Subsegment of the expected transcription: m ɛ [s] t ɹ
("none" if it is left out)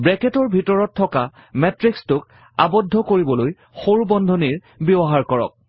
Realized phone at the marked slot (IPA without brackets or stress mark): none